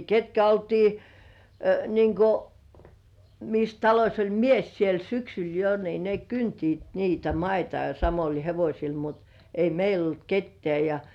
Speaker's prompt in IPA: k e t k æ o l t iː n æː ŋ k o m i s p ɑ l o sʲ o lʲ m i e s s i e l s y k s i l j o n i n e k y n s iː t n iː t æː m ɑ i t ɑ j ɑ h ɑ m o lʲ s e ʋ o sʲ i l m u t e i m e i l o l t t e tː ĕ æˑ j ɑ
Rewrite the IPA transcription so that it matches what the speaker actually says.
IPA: k e t k æ o l t iː n iː ŋ k o m i s t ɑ l o sʲ o lʲ m i e s s i e l s y k s y l j o n i n e k y n t iː t n iː t æ m ɑ i t ɑ j ɑ s ɑ m o lʲ h e ʋ o sʲ i l m u t e i m e i l o l t k e tː ĕ æˑ j ɑ